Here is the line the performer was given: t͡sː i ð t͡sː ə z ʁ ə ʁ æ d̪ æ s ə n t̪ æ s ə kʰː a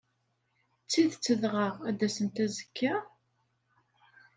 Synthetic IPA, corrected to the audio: t͡sː i ð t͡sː ə ð ʁ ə ʁ æ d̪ æ s ə n t̪ æ z ə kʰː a